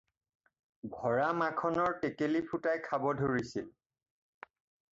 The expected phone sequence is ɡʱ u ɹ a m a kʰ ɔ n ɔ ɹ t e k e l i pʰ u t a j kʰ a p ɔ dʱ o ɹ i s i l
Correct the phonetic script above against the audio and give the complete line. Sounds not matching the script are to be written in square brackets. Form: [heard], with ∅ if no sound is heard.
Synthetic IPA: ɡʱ [ɔ] ɹ a m a kʰ ɔ n ɔ ɹ t e k e l i pʰ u t a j kʰ a [b] ɔ dʱ o ɹ i s i l